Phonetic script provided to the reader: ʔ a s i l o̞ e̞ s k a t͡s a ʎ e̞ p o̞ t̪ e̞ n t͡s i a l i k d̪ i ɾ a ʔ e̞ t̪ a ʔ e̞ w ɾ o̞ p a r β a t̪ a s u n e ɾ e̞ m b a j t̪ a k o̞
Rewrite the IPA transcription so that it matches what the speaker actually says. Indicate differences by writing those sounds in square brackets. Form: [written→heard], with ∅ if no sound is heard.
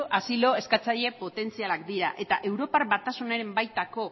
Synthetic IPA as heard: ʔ a s i l o̞ e̞ s k a t͡s a ʎ e̞ p o̞ t̪ e̞ n t͡s i a l [i→a] k d̪ i ɾ a ʔ e̞ t̪ a ʔ e̞ w ɾ o̞ p a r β a t̪ a s u n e ɾ e̞ m b a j t̪ a k o̞